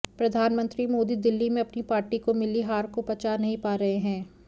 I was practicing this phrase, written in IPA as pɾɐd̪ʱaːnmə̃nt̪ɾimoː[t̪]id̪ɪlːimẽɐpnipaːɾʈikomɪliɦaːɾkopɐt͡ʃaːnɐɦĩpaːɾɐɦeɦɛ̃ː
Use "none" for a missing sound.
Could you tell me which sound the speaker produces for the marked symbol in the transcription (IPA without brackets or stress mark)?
d̪